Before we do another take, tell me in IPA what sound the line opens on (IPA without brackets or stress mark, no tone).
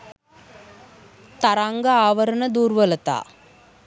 t̪